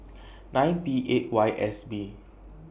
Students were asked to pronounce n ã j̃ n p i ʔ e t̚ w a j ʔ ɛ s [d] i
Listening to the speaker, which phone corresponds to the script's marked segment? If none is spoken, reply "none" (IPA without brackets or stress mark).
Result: b